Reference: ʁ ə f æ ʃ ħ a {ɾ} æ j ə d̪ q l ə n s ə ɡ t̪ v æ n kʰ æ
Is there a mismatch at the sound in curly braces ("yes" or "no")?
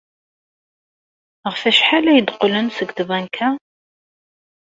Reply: yes